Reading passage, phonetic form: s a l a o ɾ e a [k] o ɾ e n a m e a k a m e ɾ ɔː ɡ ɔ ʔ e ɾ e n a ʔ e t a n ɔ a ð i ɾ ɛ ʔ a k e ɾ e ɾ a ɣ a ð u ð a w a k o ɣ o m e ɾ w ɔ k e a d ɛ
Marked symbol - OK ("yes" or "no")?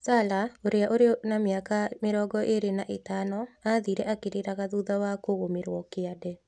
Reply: no